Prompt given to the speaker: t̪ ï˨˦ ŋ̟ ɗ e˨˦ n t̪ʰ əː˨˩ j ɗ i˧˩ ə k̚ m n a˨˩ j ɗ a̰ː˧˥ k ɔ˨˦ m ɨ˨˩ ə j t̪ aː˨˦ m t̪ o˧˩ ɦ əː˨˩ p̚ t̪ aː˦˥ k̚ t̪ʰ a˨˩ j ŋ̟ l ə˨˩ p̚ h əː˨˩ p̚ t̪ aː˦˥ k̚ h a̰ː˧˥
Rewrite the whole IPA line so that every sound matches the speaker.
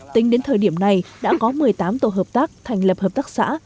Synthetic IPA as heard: t̪ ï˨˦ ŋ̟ ɗ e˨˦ n t̪ʰ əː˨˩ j ɗ i˧˩ ə m n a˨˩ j ɗ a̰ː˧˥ k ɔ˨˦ m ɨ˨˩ ə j t̪ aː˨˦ m t̪ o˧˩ ɦ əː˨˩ p̚ t̪ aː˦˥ k̚ t̪ʰ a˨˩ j ŋ̟ l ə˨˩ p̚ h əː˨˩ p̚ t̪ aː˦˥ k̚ s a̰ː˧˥